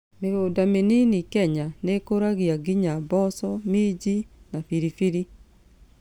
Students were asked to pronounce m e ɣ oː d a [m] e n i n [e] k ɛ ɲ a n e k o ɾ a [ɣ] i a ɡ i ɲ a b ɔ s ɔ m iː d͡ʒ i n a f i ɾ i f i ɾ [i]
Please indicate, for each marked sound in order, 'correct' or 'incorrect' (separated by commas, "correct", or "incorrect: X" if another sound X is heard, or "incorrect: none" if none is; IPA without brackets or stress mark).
correct, incorrect: i, correct, correct